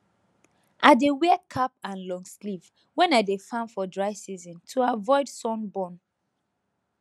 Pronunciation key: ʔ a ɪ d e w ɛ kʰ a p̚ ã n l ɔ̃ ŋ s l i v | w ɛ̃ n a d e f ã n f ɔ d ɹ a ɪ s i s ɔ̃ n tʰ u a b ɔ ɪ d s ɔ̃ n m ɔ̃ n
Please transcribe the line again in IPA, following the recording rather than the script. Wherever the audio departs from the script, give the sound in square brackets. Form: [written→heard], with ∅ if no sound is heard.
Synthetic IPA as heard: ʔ a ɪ d e w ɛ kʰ a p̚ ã n l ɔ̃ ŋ s l i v | w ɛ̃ n a d e f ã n f ɔ d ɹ a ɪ s i [s→z] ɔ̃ n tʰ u a [b→v] ɔ ɪ d s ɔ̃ n [m→b] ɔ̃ n